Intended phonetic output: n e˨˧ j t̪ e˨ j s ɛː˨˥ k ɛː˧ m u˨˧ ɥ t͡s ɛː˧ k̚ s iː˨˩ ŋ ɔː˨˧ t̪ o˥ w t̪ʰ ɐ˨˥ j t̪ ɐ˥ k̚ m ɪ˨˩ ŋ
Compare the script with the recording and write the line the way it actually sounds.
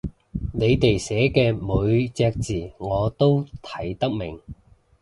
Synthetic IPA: n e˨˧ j t̪ e˨ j s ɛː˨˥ k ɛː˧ m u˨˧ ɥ t͡s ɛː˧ k̚ t͡s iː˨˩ ŋ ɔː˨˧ t̪ o˥ w t̪ʰ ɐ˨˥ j t̪ ɐ˥ k̚ m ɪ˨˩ ŋ